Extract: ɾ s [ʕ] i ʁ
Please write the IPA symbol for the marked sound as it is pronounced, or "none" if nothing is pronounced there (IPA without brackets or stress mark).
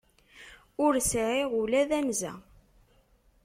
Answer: ʕ